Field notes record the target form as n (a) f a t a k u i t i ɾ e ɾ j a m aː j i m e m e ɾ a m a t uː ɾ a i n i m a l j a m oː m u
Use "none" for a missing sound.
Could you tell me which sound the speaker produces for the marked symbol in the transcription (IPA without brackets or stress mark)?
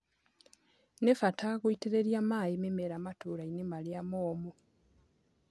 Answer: e